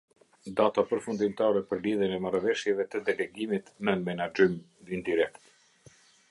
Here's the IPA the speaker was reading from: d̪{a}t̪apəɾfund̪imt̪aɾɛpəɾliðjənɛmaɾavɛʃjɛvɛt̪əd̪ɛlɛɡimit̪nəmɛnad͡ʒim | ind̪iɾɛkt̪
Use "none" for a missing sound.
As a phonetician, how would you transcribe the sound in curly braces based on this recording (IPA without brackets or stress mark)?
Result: a